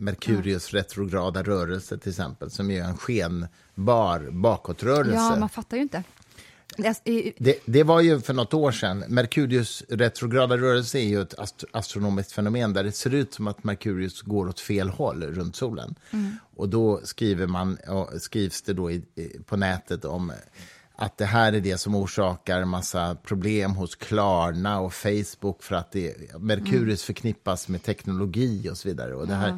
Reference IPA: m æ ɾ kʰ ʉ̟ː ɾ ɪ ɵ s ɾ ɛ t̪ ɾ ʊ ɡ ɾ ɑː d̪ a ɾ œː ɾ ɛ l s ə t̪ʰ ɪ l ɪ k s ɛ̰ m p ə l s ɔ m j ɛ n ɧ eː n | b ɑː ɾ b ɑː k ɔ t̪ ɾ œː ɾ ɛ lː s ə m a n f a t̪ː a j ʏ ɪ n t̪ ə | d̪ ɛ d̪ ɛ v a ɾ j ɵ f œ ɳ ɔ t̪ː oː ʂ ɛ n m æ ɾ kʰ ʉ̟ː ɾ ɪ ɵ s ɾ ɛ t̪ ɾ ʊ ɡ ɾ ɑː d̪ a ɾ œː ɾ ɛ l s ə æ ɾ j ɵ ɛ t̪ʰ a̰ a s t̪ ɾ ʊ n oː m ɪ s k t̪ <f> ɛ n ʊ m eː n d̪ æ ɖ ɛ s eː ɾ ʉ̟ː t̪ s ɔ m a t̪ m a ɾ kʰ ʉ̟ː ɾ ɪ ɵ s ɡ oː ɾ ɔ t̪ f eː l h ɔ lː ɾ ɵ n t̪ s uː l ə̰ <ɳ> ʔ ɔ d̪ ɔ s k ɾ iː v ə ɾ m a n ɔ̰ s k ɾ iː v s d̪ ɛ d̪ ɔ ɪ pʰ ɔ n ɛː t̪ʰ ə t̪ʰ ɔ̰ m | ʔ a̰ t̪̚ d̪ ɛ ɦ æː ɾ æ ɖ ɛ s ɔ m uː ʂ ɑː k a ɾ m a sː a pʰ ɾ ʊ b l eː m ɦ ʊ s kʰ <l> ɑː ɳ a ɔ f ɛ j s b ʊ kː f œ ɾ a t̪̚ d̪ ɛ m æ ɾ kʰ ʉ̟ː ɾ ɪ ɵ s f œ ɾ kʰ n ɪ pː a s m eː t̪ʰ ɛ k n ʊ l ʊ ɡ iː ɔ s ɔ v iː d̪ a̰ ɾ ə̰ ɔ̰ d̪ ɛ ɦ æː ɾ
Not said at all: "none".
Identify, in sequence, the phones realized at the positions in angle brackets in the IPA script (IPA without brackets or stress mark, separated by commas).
f, n, l